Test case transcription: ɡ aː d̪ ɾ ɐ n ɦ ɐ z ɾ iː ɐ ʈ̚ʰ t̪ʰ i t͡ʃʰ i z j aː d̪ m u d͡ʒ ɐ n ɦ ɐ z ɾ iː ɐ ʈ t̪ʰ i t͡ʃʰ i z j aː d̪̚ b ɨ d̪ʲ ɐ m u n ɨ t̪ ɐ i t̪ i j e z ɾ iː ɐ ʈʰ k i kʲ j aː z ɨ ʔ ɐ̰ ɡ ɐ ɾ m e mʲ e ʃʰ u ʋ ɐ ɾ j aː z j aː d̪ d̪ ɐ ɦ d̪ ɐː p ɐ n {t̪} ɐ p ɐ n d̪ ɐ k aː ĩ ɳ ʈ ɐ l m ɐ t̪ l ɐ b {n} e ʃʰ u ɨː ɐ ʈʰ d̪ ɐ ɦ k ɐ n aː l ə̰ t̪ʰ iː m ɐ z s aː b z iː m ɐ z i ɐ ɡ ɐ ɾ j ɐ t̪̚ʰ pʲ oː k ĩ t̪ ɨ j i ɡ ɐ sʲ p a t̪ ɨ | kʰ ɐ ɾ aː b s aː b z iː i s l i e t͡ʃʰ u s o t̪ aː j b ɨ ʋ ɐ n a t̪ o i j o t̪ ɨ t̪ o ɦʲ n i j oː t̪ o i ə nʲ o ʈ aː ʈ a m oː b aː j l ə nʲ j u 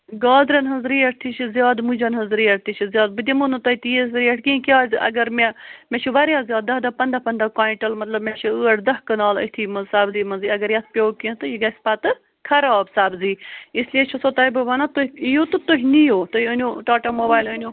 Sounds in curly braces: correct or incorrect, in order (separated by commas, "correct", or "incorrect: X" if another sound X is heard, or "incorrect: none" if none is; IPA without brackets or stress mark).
incorrect: d̪, incorrect: m